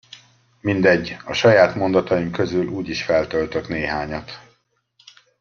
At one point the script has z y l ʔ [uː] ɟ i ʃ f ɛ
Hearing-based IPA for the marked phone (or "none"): uː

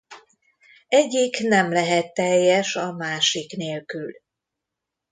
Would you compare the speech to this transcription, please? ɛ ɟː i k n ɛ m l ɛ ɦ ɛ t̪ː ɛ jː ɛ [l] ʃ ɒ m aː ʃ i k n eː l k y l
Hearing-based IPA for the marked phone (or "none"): none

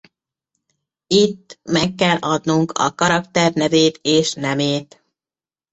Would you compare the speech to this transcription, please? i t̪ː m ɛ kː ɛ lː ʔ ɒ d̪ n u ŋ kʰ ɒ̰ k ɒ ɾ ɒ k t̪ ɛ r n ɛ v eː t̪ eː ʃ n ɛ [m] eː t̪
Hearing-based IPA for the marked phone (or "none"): m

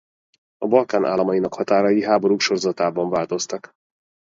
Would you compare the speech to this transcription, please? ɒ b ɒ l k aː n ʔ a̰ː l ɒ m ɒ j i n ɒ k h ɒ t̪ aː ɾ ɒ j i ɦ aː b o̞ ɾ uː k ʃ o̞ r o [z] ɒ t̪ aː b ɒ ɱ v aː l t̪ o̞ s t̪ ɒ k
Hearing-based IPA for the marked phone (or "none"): z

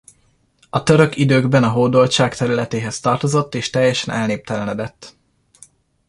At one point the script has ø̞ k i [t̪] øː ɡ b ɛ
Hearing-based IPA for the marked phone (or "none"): d̪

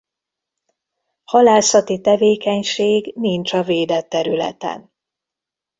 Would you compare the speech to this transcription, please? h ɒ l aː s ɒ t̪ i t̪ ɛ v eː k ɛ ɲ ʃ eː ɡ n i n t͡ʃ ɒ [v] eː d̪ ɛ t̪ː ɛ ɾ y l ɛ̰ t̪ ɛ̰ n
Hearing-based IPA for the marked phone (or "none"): v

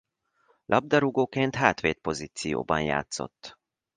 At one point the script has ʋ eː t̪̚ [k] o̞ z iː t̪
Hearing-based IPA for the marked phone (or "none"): p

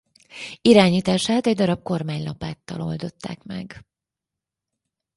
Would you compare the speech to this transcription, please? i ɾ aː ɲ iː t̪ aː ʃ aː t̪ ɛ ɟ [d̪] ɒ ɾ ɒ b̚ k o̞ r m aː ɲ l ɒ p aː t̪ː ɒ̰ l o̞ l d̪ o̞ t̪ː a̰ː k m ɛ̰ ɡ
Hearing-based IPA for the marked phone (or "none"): d̪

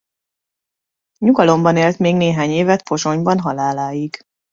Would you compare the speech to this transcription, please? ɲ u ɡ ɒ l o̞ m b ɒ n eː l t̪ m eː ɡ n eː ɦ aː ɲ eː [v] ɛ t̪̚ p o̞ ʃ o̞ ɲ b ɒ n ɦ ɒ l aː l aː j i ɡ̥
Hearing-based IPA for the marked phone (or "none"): v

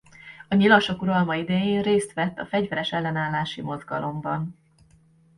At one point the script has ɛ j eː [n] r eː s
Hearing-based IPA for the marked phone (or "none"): n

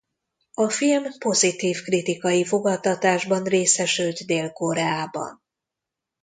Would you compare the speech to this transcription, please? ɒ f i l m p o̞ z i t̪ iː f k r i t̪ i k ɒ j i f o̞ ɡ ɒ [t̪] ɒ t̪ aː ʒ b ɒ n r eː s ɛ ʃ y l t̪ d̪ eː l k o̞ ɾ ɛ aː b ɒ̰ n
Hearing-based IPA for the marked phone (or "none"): t̪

